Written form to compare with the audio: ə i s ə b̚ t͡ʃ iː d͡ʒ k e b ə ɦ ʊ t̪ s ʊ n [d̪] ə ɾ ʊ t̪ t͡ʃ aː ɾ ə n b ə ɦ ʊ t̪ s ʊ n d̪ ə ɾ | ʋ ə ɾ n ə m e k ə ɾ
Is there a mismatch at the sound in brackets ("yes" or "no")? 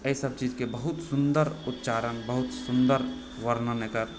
no